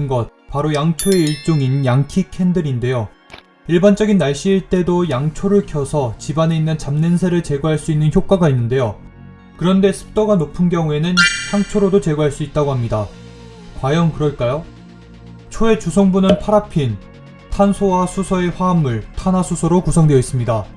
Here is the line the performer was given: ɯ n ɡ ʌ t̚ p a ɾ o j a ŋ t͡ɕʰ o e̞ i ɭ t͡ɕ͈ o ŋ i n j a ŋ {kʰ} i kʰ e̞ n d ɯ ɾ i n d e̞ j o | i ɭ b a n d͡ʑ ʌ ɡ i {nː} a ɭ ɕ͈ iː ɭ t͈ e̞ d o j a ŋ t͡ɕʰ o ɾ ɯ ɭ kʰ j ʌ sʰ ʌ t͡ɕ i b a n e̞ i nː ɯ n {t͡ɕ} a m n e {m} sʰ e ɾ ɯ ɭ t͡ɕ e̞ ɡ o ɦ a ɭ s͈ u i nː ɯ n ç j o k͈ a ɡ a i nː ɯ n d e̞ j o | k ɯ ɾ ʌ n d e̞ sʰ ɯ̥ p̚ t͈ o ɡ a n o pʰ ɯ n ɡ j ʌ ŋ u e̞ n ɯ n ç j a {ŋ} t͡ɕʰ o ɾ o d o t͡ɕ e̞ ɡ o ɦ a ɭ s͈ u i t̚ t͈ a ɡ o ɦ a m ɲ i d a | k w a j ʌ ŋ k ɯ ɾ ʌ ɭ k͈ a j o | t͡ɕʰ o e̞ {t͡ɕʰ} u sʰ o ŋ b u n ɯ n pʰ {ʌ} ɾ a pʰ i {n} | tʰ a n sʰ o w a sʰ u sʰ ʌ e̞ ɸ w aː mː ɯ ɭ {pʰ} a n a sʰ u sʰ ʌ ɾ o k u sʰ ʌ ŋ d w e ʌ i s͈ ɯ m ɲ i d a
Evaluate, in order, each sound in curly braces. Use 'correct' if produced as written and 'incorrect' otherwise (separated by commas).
correct, correct, correct, incorrect, correct, incorrect, incorrect, correct, incorrect